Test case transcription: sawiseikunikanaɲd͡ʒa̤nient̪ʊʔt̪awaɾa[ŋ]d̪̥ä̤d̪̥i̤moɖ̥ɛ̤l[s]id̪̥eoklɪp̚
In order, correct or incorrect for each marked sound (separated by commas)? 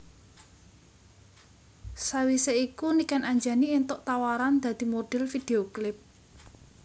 incorrect, incorrect